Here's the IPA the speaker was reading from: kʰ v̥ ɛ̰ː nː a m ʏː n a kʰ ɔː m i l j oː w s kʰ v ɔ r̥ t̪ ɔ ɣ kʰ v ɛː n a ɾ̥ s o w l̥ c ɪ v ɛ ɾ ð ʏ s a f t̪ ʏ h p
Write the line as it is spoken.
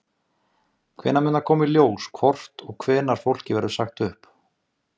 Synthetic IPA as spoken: kʰ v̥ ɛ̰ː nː a m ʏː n a kʰ ɔː m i l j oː w s kʰ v ɔ r̥ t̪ ɔ ɣ kʰ v ɛː n a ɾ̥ f o w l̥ c ɪ v ɛ ɾ ð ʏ s a x t̪ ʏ h p